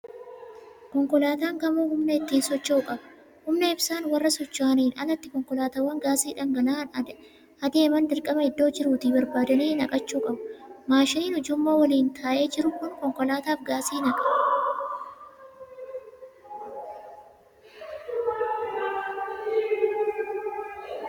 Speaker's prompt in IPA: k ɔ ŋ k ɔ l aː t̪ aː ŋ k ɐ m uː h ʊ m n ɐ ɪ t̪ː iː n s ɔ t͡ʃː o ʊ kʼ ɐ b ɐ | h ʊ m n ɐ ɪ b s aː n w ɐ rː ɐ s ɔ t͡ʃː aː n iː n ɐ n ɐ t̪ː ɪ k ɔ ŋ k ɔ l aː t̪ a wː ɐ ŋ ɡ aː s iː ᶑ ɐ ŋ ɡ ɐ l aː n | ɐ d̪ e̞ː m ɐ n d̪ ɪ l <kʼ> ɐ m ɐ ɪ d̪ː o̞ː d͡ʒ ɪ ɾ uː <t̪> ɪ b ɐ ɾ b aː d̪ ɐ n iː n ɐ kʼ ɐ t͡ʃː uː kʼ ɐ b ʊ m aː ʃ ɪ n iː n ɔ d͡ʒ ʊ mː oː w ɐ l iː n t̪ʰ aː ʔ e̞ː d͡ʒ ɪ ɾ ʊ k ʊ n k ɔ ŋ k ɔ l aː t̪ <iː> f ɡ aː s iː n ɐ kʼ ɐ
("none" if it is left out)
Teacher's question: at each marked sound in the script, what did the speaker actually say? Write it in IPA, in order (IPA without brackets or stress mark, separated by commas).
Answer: kʼ, t̪, aː